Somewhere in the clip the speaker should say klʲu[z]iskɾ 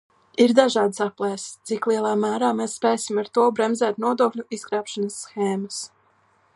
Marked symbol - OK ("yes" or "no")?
no